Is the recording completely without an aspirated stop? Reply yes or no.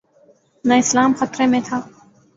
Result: no